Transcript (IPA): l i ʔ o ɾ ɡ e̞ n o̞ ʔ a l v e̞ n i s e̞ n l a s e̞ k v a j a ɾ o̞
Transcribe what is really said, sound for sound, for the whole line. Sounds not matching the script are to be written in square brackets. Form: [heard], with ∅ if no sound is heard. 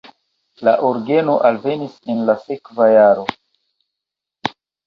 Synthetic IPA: l [a] ʔ o ɾ ɡ e̞ n o̞ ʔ a l v e̞ n i s e̞ n l a s e̞ k v a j a ɾ o̞